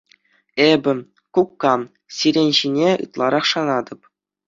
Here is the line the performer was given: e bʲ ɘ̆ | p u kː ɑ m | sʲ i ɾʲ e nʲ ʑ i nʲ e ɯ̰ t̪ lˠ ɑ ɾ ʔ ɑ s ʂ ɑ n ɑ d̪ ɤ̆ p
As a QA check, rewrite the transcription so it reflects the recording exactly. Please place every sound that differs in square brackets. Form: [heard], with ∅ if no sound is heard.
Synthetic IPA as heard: e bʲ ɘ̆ | [k] u kː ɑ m | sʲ i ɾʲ e nʲ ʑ i nʲ e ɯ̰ t̪ lˠ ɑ ɾ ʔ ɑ [χ] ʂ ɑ n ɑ d̪ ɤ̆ p